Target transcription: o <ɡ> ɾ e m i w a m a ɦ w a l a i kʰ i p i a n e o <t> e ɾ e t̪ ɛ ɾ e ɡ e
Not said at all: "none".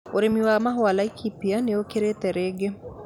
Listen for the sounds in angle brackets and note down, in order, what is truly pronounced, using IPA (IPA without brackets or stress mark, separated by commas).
none, k